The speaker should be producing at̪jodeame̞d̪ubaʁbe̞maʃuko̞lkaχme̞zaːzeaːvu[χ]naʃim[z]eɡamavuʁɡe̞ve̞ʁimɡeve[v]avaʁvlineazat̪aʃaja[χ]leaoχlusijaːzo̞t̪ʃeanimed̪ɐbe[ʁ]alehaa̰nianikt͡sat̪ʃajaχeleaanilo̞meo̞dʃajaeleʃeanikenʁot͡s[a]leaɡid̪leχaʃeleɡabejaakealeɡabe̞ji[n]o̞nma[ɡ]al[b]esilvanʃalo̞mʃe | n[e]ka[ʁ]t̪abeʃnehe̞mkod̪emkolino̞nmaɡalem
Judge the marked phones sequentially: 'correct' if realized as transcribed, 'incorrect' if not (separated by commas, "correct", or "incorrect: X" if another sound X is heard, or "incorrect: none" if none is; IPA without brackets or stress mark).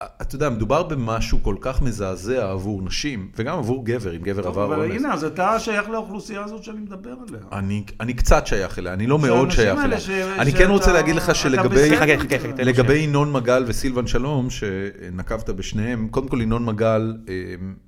incorrect: ʁ, incorrect: v, incorrect: ʁ, correct, correct, incorrect: e, correct, correct, incorrect: v, incorrect: a, incorrect: v